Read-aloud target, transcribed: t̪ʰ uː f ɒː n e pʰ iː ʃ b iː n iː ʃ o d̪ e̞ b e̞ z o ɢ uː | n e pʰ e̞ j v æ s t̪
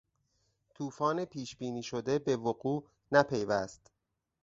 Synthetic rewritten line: t̪ʰ uː f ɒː n e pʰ iː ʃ b iː n iː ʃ o d̪ e̞ b e̞ v o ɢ uː | n æ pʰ e̞ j v æ s t̪